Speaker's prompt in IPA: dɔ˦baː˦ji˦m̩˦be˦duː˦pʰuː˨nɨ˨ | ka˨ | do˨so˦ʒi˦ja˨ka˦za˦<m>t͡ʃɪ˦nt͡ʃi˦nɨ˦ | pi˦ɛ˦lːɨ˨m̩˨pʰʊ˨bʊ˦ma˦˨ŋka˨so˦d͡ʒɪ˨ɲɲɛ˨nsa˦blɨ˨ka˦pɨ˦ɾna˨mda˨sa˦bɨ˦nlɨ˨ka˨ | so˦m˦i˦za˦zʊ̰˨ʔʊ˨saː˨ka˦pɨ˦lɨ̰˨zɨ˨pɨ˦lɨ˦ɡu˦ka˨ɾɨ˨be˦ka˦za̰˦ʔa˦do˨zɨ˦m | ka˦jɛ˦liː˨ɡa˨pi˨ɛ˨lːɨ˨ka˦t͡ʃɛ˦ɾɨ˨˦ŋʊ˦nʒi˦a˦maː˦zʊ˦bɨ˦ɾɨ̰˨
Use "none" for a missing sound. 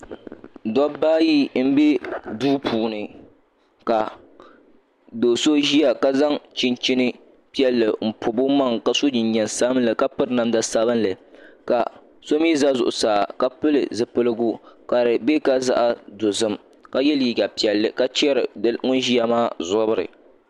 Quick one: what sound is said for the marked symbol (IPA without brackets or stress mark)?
ŋ